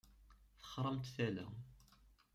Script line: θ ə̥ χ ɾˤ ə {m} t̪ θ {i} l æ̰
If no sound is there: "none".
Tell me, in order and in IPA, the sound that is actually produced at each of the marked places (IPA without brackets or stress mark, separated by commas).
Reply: m, æ